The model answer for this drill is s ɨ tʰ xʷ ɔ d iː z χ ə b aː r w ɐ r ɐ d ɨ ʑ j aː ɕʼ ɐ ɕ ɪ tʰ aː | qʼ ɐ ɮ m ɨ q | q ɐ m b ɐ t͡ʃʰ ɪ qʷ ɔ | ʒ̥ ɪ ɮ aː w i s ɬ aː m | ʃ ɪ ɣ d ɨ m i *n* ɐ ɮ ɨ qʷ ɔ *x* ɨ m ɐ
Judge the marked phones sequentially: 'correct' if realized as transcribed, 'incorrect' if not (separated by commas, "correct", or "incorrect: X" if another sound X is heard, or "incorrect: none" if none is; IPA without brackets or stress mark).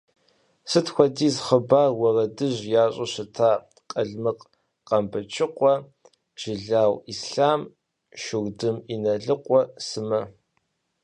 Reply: correct, incorrect: s